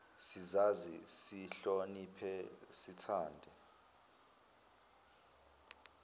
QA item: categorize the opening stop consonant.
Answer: aspirated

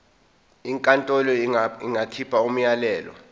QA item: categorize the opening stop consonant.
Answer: ejective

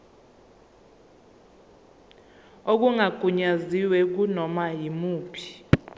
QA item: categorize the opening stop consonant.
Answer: plain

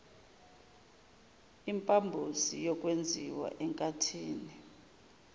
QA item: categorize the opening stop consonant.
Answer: ejective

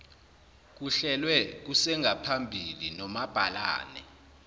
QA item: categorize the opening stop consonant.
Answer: plain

